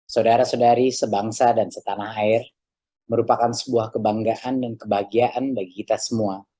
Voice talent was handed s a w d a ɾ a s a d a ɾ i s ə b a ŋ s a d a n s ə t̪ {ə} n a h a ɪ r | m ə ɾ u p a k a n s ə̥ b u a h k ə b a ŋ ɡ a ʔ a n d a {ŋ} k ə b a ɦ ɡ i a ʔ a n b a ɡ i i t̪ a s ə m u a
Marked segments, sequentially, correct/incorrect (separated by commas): incorrect, incorrect